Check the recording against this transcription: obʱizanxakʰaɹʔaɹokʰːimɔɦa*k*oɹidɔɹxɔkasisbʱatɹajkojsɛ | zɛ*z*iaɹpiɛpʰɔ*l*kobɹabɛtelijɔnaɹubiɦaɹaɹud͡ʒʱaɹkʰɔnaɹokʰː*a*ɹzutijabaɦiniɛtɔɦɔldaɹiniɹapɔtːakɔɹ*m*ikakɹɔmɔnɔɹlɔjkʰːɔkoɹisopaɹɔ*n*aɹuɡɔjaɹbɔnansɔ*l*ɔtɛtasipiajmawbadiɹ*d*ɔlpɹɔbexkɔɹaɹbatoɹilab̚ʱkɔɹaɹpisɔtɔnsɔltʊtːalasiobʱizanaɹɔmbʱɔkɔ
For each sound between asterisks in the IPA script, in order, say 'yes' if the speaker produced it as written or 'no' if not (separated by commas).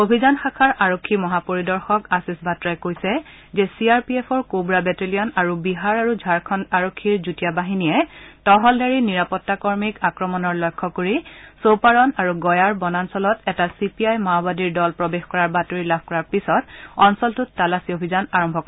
no, no, no, no, yes, yes, yes, yes